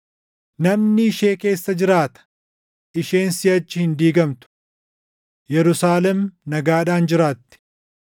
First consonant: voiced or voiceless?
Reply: voiced